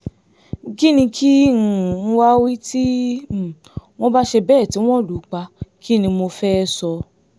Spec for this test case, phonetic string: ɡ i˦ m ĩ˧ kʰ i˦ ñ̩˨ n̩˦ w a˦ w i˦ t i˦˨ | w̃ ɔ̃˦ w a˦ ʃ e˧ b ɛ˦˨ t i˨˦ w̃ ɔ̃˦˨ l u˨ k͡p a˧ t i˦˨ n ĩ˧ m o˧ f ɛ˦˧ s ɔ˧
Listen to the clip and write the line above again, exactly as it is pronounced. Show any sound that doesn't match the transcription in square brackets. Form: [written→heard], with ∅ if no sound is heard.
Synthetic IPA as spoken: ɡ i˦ [m→n] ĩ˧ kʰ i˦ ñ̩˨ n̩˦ w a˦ w i˦ t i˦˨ | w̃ ɔ̃˦ [w→b] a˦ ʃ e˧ b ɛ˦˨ t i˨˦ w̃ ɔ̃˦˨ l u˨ k͡p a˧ [t→k] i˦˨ n ĩ˧ m o˧ f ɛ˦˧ s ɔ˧